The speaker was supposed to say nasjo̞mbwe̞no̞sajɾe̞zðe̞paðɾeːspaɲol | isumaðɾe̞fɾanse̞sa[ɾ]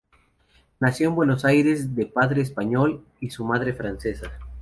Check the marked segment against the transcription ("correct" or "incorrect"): incorrect